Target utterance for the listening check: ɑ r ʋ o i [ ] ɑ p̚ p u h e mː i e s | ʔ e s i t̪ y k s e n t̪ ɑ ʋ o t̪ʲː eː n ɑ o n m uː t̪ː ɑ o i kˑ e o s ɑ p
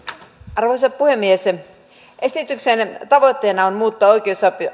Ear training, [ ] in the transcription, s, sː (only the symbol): s